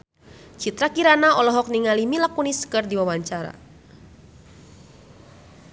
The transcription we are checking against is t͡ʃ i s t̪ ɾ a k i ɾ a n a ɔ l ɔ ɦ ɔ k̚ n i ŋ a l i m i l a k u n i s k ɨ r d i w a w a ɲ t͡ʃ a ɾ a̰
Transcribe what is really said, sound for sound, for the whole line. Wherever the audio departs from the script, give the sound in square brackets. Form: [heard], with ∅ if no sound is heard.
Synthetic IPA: t͡ʃ i [∅] t̪ ɾ a k i ɾ a n a ɔ l ɔ ɦ ɔ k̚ n i ŋ a l i m i l a k u n i s k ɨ r d i w a w a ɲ t͡ʃ a ɾ a̰